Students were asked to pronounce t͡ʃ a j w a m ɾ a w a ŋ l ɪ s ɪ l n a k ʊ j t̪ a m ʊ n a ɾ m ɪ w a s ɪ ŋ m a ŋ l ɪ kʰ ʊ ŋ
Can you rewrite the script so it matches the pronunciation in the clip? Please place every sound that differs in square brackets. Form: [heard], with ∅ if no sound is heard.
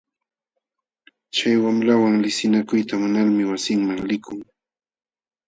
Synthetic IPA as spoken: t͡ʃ a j w a m ɾ a w a ŋ l ɪ s ɪ [∅] n a k ʊ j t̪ a m ʊ n a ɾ m ɪ w a s ɪ ŋ m a ŋ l ɪ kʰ ʊ ŋ